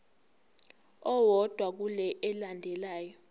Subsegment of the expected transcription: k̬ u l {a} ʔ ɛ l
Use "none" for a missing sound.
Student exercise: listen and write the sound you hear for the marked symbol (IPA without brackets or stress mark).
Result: ɛ